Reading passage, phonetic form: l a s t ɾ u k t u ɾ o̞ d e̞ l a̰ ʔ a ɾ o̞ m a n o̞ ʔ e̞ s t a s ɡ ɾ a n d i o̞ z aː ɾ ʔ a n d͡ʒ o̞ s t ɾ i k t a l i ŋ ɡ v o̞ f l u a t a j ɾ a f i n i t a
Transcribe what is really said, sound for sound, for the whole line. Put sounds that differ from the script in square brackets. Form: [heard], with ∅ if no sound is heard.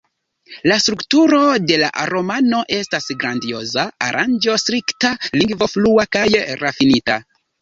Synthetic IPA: l a s t ɾ u k t u ɾ o̞ d e̞ l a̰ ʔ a ɾ o̞ m a n o̞ ʔ e̞ s t a s ɡ ɾ a n d i o̞ z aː ɾ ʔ a n d͡ʒ o̞ s t ɾ i k t a l i ŋ ɡ v o̞ f l u a [k] a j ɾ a f i n i t a